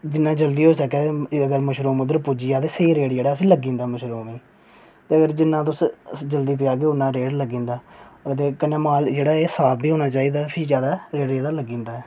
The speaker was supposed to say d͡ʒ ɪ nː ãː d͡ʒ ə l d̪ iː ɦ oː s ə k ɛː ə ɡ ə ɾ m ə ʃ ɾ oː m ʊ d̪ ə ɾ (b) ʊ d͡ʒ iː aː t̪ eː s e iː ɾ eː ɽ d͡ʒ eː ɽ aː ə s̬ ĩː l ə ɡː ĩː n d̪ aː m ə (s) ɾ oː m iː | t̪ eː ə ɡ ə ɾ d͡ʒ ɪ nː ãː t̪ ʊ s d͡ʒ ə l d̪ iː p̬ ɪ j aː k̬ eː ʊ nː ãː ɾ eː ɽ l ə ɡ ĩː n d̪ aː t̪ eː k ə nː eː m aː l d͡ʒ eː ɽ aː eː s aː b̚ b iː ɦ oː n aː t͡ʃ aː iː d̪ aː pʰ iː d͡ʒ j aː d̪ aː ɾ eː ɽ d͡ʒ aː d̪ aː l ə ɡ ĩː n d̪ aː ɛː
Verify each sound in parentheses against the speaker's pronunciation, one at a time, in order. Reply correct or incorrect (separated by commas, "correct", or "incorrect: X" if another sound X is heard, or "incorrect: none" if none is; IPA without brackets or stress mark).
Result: incorrect: p, incorrect: ʃ